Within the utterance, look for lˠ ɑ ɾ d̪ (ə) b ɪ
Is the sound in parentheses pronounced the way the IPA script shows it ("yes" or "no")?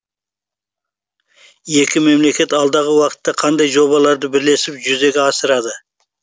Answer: yes